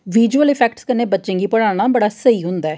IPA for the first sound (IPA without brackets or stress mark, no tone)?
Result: ʋ